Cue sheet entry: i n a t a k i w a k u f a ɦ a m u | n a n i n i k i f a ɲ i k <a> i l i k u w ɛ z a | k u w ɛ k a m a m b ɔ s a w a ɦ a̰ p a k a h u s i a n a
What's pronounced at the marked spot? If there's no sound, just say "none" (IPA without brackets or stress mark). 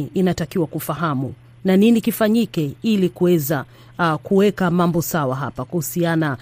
ɛ